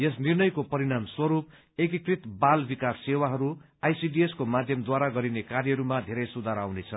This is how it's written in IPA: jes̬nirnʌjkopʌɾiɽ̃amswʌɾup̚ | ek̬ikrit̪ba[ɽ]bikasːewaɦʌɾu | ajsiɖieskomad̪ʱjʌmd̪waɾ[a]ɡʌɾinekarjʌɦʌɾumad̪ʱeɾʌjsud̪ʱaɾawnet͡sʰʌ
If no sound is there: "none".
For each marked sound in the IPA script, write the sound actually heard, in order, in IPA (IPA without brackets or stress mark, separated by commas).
l, a